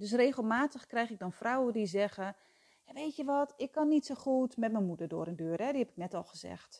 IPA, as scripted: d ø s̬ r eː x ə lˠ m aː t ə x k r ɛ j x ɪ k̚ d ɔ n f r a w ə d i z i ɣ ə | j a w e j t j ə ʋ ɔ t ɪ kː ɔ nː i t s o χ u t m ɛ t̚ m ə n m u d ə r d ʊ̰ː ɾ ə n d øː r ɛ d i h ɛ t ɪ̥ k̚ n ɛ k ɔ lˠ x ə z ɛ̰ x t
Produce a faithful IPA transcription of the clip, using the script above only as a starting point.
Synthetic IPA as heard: d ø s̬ r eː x ə lˠ m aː t ə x k r ɛ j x ɪ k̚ d ɔ n f r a w ə d i z ɛ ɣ ə | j a ʋ e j t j ə ʋ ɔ t ɪ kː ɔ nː i t s o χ u t m ɛ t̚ m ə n m u d ə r d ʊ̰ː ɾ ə n d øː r ɛ d i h ɛ p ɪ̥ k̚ n ɛ t ɔ lˠ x ə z ɛ̰ x t